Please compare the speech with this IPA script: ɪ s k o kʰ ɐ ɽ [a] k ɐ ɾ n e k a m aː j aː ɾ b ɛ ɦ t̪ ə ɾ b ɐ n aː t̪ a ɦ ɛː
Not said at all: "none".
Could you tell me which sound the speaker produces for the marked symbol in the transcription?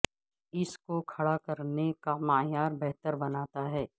a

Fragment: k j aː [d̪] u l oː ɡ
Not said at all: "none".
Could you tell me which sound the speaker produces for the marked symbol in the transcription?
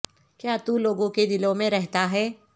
t̪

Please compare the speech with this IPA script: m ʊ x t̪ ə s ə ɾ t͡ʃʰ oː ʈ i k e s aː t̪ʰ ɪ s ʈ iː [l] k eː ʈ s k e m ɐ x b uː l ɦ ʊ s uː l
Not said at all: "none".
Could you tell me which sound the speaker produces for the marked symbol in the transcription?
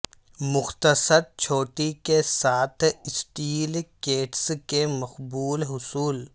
l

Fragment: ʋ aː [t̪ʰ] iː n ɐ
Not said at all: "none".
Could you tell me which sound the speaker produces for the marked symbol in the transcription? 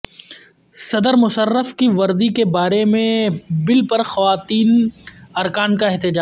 t̪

